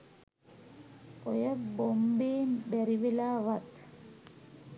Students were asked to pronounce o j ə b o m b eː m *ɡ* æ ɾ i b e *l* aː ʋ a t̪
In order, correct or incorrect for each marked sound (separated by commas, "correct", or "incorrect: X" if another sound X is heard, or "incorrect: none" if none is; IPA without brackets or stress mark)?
incorrect: b, correct